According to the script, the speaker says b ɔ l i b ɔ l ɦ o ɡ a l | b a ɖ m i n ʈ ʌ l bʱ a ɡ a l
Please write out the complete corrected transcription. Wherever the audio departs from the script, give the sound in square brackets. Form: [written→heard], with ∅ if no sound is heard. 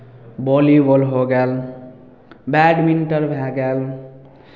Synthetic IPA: b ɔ l i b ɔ l ɦ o ɡ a l | b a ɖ m i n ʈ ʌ [l→ɾ] bʱ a ɡ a l